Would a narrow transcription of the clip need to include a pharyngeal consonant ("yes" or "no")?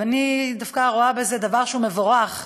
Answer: no